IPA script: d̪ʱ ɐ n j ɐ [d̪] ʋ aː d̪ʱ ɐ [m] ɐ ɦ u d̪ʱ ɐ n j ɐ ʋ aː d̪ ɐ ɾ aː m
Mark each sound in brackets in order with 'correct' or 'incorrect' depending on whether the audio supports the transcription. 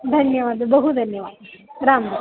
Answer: incorrect, incorrect

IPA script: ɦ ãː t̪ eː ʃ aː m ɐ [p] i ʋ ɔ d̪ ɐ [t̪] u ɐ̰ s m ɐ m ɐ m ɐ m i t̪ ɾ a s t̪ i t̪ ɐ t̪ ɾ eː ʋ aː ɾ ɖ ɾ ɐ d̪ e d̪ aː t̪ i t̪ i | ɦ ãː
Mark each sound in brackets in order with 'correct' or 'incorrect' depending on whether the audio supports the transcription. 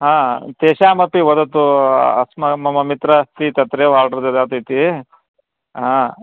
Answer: correct, correct

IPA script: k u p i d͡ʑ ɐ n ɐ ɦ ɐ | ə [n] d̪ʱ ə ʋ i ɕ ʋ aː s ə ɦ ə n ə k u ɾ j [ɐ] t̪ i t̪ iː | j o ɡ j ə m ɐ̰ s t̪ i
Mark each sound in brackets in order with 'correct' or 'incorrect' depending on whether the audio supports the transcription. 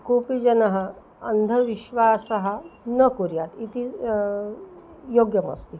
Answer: correct, incorrect

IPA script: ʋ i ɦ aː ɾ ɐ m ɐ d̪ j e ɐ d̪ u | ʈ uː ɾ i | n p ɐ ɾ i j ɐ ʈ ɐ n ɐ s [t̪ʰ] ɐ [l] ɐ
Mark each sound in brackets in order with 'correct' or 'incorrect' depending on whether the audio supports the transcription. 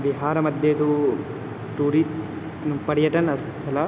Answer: correct, correct

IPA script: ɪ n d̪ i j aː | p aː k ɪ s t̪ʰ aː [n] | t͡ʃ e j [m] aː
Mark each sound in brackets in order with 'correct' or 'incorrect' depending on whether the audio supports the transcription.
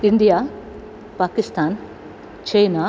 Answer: correct, incorrect

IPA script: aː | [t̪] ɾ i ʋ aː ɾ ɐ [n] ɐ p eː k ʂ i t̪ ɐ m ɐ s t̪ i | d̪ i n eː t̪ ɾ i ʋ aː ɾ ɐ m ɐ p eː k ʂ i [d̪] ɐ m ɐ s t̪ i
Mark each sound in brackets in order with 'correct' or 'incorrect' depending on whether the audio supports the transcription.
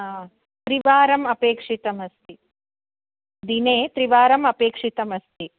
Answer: correct, incorrect, incorrect

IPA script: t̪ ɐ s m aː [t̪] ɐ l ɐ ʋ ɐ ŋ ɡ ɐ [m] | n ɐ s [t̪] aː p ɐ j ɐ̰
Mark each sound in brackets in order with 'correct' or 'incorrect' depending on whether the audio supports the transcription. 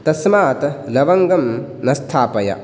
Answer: correct, correct, incorrect

